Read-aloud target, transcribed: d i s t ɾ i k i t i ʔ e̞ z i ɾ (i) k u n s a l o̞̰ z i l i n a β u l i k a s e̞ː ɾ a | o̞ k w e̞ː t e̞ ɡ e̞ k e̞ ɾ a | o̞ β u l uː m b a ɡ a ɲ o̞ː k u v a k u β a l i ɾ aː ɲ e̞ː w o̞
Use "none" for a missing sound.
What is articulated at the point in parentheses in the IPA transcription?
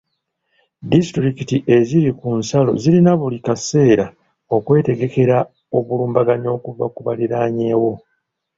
i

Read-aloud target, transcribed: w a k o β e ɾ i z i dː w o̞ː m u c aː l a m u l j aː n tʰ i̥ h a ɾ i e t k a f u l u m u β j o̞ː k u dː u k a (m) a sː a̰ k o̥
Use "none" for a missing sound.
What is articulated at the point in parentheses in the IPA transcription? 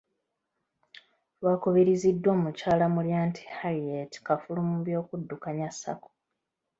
ɲ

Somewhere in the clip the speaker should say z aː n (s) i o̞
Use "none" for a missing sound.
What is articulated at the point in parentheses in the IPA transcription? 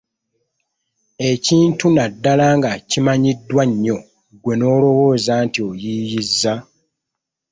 t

